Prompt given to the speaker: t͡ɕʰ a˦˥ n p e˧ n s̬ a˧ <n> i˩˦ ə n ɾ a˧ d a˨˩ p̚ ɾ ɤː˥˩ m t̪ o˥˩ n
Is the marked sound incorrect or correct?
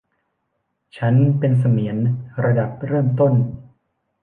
incorrect